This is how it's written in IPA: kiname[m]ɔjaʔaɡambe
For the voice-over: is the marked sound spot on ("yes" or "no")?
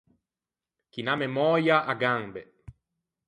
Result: yes